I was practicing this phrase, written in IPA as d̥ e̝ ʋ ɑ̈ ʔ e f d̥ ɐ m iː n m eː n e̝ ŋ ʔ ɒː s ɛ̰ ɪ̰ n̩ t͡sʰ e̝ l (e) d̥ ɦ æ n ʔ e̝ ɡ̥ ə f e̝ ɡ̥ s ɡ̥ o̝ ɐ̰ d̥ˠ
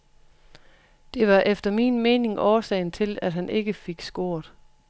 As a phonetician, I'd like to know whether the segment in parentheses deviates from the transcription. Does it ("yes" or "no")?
yes